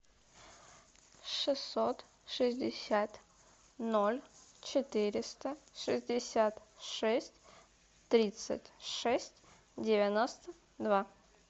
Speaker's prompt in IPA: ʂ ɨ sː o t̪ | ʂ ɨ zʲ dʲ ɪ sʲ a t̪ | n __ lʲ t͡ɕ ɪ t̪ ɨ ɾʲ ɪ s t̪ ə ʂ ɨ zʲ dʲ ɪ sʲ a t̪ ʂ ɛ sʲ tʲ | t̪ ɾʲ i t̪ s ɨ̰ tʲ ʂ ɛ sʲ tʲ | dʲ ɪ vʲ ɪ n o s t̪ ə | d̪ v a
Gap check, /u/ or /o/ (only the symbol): o